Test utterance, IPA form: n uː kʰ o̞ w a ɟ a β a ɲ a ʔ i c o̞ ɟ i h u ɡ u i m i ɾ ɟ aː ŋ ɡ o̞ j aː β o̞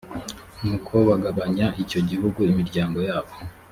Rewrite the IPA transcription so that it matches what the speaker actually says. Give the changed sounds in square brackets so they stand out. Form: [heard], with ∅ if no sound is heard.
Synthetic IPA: n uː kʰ o̞ [β] a [ɡ] a β a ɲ a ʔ i c o̞ ɟ i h u ɡ u i m i ɾ ɟ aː ŋ ɡ o̞ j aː β o̞